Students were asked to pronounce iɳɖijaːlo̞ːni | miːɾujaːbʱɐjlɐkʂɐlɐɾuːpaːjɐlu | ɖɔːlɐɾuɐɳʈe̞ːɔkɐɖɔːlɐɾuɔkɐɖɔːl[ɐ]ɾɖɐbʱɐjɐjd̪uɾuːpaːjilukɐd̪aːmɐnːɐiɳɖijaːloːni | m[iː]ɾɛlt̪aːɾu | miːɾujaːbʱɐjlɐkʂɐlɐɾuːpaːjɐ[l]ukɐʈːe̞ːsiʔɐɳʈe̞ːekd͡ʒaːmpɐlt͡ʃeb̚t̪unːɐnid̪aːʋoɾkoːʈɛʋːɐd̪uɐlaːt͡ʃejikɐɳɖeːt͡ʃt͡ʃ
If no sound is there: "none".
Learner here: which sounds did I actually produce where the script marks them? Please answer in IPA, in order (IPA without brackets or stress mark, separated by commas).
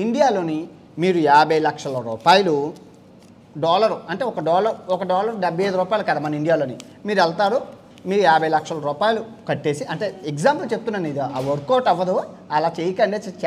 ɐ, iː, l